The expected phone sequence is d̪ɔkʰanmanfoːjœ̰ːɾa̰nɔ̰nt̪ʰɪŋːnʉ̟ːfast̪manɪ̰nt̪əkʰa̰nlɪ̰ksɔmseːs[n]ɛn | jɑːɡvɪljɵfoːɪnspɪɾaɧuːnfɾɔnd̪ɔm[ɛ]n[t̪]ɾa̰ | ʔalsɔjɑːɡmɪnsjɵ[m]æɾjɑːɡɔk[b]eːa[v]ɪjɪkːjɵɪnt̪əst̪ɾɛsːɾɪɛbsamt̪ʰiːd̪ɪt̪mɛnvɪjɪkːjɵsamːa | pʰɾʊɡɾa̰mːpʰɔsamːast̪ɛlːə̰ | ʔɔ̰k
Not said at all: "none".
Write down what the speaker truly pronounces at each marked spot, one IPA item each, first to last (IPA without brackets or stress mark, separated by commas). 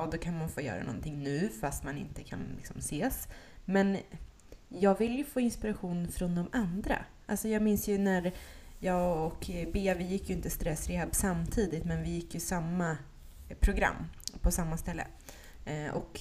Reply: m, a, d̪, n, b, v